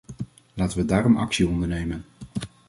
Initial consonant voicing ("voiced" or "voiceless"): voiced